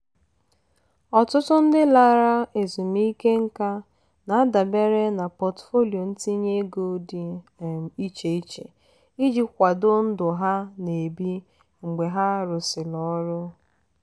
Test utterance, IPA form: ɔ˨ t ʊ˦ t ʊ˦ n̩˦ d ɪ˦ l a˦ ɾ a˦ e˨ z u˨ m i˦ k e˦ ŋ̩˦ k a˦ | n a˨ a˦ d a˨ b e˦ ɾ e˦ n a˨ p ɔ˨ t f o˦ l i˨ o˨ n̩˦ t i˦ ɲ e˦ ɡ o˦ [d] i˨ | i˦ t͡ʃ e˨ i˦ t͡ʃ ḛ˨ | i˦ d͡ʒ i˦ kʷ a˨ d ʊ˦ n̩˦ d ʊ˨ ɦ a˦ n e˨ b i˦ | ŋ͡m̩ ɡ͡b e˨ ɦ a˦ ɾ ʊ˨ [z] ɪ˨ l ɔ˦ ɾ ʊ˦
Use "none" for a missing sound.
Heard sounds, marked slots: d, s

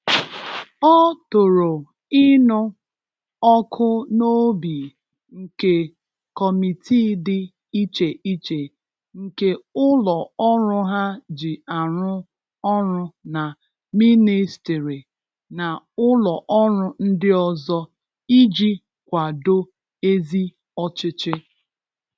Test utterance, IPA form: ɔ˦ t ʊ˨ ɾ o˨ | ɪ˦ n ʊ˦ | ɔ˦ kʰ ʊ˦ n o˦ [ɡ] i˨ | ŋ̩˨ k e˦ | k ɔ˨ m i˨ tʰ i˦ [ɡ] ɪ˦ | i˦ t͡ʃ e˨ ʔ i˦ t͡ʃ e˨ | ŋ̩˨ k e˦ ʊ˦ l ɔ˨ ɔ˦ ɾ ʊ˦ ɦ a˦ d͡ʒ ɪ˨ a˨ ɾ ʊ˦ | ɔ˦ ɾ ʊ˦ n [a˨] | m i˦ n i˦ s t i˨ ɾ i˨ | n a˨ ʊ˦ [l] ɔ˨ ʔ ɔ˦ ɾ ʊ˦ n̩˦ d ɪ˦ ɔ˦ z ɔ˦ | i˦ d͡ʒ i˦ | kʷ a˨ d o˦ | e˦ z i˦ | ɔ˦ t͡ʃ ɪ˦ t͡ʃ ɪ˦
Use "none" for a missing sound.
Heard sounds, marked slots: b, d, a˨, l

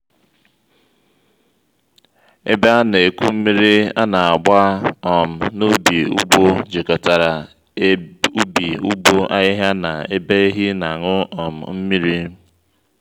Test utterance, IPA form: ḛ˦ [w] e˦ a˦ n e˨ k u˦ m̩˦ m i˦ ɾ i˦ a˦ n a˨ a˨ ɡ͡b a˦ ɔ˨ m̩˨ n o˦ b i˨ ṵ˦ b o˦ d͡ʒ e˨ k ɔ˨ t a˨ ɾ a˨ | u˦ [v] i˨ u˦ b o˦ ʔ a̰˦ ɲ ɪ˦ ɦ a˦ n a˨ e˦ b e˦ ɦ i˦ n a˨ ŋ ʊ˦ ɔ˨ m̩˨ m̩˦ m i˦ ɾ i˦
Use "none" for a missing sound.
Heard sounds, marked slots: b, b

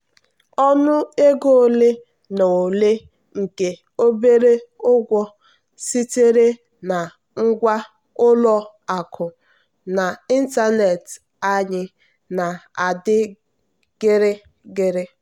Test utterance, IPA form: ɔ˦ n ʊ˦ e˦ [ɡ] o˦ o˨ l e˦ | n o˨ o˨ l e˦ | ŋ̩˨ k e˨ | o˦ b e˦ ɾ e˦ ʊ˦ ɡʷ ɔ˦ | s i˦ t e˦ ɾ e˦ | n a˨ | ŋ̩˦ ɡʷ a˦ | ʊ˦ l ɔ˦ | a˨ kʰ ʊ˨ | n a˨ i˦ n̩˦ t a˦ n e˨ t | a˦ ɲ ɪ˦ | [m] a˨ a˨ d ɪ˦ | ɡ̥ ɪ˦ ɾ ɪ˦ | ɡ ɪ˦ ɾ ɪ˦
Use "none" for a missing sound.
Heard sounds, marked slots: ɡ, n

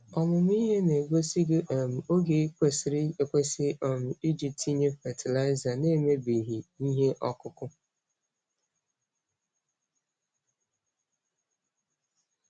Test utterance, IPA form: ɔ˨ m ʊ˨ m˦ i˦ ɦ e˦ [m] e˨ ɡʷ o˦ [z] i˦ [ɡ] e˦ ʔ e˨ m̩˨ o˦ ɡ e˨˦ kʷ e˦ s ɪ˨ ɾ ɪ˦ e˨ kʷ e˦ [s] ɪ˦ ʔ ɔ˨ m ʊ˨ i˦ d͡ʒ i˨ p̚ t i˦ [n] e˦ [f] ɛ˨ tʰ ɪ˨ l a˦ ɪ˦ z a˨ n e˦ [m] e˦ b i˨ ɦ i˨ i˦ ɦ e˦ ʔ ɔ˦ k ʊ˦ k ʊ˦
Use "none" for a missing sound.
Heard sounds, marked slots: n, s, ɡ, s, ɲ, f, m

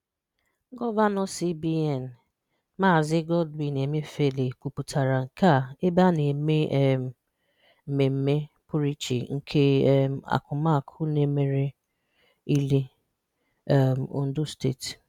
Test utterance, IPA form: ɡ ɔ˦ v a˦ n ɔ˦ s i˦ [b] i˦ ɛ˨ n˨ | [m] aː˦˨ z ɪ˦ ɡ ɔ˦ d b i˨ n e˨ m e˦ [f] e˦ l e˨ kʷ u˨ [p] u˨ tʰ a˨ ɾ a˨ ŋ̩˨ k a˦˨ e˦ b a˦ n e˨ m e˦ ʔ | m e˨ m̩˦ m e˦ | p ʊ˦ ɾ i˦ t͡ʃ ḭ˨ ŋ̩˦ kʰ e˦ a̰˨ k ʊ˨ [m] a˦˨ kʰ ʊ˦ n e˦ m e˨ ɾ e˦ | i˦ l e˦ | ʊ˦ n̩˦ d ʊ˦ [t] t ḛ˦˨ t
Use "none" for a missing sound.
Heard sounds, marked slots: b, m, f, p, m, s

